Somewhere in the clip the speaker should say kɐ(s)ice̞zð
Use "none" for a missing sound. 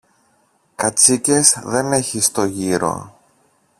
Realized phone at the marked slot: t͡s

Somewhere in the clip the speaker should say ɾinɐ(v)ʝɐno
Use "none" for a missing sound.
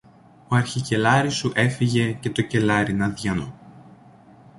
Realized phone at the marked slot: ð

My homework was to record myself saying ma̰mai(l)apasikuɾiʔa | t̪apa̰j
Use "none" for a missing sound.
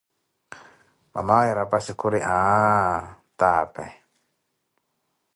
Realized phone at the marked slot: ɾ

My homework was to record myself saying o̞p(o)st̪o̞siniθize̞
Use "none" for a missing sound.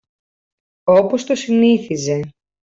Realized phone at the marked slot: o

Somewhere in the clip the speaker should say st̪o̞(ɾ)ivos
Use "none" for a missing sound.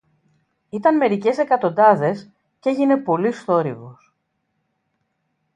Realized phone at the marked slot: ɾ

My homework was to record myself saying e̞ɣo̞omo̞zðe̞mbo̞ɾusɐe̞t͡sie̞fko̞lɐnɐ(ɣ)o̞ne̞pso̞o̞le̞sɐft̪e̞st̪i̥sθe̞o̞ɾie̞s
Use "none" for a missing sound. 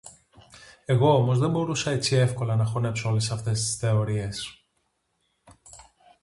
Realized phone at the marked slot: x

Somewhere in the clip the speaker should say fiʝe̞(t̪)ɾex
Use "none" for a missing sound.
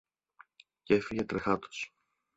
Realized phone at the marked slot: t̪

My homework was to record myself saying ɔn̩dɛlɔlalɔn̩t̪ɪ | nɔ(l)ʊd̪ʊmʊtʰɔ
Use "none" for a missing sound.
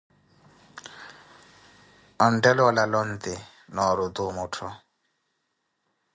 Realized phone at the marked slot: ɾ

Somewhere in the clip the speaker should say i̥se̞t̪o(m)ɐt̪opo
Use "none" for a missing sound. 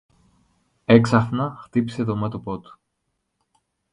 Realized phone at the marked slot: m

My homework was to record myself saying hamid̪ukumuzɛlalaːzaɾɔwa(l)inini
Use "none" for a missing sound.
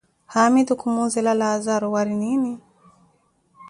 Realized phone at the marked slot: ɾ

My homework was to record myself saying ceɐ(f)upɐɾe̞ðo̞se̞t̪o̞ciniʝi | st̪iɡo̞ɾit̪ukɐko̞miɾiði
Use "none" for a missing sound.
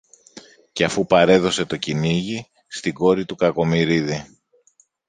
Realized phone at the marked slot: f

